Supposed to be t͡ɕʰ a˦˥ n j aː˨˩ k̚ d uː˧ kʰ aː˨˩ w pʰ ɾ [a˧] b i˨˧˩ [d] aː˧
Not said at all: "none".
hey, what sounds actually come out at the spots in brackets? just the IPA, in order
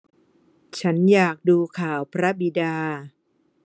a˦˥, d

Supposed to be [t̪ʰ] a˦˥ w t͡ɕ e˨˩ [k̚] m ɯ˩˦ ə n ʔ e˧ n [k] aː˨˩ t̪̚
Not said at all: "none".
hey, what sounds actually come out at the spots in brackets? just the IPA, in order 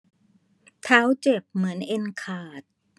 t̪ʰ, p̚, kʰ

